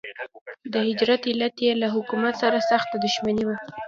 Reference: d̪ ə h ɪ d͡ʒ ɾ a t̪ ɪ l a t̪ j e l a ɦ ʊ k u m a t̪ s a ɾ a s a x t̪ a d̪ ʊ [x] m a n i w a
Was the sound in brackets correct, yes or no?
no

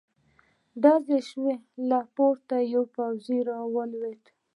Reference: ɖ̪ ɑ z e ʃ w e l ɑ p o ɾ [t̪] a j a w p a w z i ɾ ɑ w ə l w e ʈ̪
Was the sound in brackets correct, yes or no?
yes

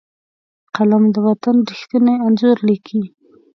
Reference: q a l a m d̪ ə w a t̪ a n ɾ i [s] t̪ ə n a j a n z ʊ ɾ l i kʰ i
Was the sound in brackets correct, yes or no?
no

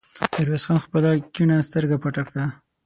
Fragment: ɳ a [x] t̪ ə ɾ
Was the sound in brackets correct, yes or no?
no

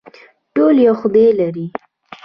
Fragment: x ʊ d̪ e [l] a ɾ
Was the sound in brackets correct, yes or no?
yes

